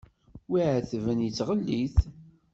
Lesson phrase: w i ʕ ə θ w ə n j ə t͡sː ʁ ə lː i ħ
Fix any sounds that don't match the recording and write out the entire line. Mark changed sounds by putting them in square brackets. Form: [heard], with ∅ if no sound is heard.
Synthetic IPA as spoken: w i ʕ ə θ [v] ə n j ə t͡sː ʁ ə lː i [θ]